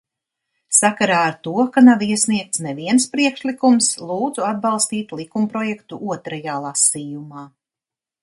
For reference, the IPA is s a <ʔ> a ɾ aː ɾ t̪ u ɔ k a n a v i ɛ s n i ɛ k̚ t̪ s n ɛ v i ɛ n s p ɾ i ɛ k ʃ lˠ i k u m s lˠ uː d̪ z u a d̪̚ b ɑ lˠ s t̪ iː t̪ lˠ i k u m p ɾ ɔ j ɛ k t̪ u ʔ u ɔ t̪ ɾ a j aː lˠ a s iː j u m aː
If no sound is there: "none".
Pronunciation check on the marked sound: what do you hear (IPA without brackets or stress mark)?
k